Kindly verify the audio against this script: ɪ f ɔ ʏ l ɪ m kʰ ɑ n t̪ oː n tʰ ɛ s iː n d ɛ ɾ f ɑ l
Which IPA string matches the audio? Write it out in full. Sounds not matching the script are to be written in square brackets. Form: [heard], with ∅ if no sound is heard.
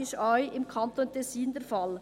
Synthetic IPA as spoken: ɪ [ʃ] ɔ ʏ [∅] ɪ m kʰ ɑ n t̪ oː n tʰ ɛ s iː n d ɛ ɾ f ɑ l